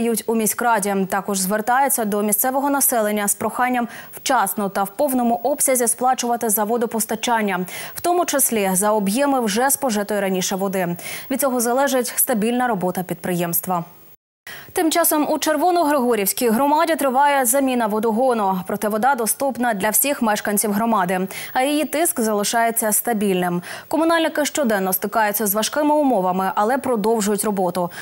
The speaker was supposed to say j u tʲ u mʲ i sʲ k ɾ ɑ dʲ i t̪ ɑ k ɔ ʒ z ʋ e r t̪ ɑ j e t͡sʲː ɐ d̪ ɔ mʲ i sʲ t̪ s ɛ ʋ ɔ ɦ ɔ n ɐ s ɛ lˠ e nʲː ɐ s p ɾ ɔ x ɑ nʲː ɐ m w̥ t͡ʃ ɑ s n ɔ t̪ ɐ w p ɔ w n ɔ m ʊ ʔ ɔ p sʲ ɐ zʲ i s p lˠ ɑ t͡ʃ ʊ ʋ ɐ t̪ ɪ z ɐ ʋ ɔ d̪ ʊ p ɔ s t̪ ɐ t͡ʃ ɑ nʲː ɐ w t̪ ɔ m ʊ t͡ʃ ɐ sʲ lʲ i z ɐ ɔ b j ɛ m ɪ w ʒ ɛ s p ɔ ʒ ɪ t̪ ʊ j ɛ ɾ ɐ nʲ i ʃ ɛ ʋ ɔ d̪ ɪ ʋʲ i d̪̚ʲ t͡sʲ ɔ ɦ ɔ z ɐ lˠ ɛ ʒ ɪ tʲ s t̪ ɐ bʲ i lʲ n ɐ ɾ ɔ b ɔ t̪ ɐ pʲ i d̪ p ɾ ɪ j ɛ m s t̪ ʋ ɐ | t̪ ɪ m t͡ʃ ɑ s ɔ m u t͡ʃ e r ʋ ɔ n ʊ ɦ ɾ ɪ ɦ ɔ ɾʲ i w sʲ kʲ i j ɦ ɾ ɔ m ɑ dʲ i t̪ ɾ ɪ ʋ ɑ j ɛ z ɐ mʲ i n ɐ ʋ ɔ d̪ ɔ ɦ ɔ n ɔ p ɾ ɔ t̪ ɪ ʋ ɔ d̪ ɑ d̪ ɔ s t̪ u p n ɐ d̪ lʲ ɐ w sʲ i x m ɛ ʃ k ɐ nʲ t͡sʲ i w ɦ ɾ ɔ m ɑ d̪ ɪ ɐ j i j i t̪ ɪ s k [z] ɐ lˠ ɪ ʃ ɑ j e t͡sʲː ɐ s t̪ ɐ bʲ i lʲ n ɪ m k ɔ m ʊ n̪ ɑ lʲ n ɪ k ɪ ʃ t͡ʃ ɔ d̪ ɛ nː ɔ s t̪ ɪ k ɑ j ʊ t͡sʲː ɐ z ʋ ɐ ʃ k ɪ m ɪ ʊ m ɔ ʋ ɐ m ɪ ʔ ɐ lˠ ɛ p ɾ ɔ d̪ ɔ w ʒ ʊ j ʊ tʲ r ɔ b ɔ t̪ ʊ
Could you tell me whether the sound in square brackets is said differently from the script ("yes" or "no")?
no